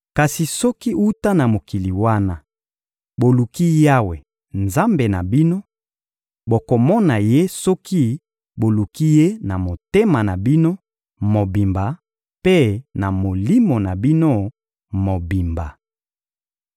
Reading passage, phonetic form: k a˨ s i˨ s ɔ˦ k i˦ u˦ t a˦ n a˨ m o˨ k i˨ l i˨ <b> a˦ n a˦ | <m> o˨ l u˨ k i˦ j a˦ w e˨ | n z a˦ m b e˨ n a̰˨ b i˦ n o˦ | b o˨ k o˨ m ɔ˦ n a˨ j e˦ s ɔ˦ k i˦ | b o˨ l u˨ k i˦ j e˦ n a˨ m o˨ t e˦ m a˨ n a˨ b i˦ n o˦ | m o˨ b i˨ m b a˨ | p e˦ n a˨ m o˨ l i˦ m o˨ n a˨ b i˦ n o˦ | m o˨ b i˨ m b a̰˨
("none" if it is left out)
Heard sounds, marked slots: w, b

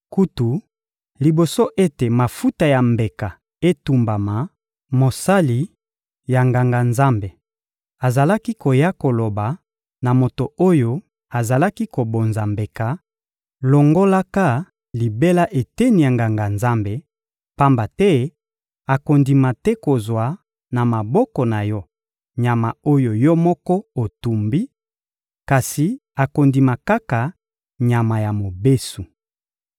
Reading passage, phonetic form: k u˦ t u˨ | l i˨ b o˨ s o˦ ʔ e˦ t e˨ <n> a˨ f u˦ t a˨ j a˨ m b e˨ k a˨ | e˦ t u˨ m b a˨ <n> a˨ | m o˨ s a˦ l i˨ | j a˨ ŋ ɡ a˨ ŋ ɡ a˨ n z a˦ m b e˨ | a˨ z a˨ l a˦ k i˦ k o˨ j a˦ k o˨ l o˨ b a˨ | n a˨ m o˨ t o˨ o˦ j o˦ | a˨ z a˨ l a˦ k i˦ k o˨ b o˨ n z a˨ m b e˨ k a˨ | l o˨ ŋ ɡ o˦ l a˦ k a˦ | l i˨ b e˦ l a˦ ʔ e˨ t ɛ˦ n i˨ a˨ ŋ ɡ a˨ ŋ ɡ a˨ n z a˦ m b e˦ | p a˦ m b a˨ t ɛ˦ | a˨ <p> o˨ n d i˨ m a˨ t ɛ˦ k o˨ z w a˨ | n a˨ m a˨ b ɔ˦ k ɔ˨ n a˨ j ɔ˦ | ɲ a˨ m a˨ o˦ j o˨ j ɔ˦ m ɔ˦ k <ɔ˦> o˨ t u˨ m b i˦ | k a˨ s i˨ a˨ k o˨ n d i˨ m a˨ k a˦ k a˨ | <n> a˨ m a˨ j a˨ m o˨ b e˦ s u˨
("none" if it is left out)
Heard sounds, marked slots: m, m, k, ɔ˦, ɲ

